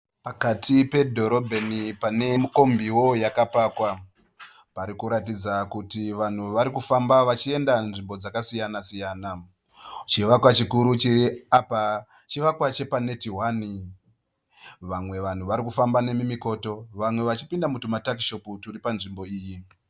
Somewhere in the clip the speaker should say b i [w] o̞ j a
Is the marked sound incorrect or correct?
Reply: correct